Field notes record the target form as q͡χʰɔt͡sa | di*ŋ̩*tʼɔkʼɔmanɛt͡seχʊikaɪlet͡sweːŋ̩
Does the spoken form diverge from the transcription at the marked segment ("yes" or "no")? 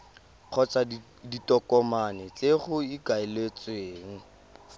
yes